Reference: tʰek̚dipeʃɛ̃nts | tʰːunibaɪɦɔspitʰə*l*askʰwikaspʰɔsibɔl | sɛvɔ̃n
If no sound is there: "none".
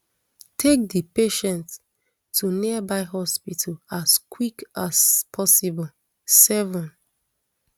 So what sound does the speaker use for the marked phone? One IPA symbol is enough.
l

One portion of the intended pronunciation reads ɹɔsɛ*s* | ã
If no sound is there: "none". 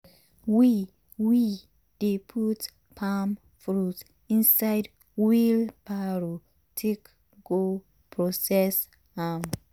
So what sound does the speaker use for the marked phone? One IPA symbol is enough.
s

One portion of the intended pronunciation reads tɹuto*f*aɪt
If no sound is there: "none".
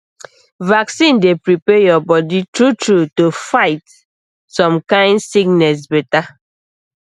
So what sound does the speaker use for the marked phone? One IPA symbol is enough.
f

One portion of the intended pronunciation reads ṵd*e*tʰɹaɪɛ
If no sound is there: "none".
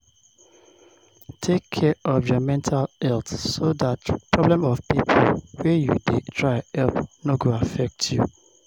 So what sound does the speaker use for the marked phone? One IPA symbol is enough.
e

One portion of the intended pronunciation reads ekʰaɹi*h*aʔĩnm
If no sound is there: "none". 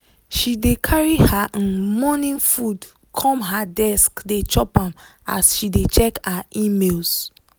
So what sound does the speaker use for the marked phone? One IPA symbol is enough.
h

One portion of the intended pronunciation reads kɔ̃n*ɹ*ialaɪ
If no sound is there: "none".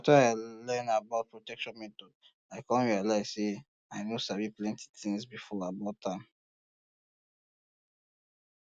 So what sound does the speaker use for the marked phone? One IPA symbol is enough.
ɹ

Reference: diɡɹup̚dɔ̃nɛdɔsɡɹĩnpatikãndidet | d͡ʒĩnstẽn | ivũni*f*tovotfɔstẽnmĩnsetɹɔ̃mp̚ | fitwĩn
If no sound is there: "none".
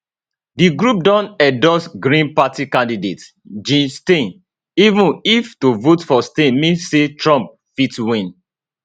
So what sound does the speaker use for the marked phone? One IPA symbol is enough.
f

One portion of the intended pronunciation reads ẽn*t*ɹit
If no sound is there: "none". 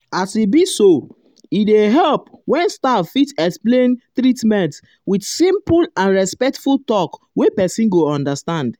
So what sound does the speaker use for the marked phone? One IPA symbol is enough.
t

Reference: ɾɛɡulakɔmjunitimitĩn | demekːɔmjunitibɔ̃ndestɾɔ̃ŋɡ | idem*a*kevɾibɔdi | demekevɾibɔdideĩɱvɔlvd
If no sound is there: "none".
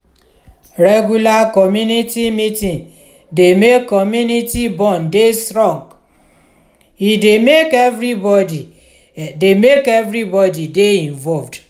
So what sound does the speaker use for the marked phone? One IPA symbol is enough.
e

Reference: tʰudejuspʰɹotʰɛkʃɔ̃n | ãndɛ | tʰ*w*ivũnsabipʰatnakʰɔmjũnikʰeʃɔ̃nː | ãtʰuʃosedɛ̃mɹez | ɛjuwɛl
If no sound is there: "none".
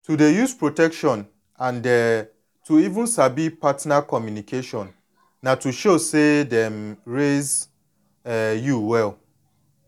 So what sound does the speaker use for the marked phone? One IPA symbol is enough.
u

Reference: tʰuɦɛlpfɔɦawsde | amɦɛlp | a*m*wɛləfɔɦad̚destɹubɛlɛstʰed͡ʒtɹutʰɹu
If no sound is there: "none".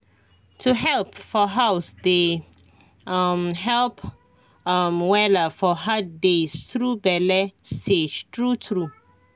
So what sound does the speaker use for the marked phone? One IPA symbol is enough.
m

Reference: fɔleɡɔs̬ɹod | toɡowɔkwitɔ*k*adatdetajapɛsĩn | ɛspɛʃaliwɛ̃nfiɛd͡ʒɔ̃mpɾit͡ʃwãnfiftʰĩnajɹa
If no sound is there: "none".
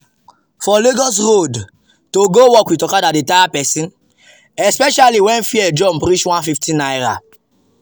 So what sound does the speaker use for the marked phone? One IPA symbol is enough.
k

